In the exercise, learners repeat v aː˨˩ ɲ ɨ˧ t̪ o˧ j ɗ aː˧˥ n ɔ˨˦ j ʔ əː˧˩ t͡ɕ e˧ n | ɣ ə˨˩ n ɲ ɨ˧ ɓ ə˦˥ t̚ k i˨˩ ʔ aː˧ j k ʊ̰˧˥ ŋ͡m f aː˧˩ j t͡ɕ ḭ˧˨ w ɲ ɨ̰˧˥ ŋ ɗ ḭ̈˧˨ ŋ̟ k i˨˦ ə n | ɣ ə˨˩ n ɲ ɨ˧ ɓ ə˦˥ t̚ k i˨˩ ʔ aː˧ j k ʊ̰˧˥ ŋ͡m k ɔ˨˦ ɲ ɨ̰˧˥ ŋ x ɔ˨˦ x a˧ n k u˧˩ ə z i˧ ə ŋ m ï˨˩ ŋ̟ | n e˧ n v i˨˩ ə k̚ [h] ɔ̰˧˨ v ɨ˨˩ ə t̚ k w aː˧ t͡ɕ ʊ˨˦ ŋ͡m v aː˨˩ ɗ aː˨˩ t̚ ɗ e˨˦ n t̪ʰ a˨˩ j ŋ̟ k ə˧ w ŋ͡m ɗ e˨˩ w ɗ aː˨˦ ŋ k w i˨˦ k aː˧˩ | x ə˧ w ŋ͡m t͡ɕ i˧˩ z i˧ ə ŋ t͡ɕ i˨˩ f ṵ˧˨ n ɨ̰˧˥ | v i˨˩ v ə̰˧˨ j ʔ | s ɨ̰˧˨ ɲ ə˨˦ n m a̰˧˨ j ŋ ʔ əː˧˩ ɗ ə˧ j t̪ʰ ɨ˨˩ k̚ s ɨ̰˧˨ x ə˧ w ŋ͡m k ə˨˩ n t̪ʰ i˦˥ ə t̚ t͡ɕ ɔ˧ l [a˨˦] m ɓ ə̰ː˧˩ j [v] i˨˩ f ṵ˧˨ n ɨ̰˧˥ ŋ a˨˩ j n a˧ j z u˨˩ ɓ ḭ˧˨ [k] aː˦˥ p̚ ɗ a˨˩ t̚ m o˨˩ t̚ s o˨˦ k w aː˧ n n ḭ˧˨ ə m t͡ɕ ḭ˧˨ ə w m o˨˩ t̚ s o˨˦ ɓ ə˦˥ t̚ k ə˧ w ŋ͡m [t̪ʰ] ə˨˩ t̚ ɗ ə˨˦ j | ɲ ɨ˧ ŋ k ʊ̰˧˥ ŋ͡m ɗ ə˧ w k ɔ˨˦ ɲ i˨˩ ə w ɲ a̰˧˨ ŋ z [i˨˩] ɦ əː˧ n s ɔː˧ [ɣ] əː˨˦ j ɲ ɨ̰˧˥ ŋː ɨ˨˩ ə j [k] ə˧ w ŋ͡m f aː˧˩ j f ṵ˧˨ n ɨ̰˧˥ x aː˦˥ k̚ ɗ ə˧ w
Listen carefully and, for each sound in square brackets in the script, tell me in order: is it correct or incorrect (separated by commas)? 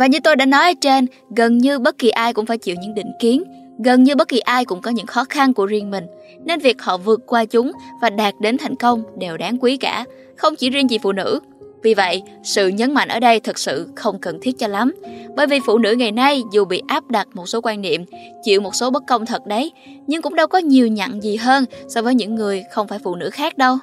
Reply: correct, correct, correct, incorrect, correct, correct, incorrect, incorrect